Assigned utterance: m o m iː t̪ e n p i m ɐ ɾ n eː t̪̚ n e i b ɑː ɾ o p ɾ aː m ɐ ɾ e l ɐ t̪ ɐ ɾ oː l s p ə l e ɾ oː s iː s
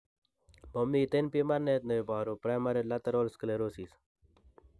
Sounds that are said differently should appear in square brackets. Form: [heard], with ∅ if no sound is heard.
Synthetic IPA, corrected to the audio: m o m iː t̪ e n p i m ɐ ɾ n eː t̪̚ n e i b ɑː ɾ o p ɾ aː m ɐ ɾ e l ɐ t̪ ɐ ɾ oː l s [k] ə l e ɾ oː s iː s